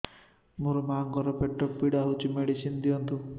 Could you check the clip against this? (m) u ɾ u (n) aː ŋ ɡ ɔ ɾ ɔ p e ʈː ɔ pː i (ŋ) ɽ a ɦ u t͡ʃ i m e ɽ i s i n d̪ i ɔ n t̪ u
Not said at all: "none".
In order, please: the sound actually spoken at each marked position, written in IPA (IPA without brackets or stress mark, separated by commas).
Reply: m, m, none